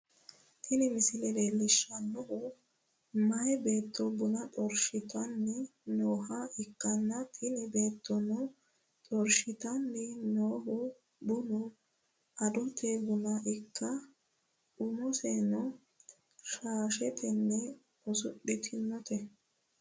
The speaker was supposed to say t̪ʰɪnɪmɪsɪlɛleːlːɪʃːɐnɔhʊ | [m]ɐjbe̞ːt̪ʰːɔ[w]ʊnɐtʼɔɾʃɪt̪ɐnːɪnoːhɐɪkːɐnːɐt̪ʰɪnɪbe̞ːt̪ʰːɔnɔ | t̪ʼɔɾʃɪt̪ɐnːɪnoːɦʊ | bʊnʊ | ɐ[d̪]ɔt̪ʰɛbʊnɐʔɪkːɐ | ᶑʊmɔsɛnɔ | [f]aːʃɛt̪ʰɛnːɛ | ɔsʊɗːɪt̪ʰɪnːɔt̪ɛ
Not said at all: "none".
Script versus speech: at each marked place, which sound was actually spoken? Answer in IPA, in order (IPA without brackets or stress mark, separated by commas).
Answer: m, b, d̪, ʃ